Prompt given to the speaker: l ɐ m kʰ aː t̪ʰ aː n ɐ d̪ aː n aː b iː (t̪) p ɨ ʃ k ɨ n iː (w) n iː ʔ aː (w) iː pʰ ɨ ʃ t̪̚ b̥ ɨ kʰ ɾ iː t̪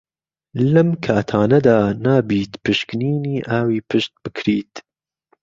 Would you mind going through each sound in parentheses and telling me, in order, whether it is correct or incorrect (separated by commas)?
correct, incorrect, correct